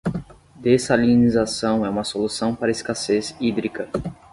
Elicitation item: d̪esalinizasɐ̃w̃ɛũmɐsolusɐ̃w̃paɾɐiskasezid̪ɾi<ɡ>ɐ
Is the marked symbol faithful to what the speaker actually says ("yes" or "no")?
no